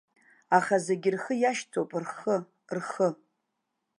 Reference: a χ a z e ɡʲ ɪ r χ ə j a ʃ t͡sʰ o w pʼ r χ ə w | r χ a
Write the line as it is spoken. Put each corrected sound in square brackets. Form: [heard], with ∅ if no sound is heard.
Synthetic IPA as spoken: a χ a z e ɡʲ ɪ r χ ə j a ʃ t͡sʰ o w pʼ r χ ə [∅] | r χ [ə]